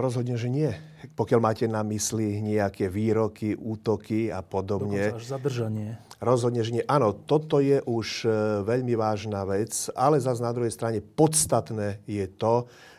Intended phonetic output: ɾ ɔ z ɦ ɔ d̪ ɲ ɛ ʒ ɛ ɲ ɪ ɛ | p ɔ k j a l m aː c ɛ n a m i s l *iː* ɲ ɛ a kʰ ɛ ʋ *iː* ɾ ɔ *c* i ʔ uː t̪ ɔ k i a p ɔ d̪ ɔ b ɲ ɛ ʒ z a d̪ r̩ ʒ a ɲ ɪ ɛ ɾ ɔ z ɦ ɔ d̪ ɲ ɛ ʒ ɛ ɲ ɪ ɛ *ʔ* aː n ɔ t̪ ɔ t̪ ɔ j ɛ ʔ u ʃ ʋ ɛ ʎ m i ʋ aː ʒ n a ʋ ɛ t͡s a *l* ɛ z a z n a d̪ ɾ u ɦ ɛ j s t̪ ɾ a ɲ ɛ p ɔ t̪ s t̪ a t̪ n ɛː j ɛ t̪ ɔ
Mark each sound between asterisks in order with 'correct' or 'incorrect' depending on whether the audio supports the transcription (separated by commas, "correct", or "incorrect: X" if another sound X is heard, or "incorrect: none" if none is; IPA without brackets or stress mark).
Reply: incorrect: i, correct, incorrect: k, correct, correct